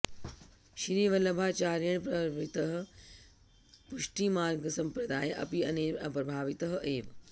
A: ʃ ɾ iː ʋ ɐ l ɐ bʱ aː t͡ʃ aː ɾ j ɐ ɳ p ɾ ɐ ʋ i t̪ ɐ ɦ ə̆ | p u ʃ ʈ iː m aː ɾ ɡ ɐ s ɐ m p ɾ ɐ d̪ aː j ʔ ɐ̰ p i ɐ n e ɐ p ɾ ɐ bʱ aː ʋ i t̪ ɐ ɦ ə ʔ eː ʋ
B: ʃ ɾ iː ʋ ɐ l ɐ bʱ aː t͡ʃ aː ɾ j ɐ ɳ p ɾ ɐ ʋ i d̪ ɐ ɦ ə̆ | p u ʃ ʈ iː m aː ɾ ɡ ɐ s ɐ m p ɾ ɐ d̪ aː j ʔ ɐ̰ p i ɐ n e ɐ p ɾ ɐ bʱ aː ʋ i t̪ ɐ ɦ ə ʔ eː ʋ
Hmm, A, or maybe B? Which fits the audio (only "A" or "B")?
A